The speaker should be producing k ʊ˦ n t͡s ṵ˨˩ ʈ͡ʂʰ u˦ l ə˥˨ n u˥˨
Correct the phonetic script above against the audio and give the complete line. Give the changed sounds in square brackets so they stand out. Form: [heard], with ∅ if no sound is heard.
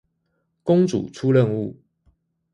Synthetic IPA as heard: k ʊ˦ [ŋ] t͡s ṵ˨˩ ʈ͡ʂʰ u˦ l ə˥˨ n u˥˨